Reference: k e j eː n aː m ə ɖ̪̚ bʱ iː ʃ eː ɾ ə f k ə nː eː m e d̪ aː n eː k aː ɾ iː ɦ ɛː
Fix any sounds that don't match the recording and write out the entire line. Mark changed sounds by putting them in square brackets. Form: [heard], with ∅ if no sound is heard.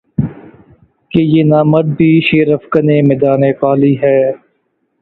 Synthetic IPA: k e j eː n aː m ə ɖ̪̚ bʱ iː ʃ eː ɾ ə f k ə [n] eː m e d̪ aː n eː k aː [l] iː ɦ ɛː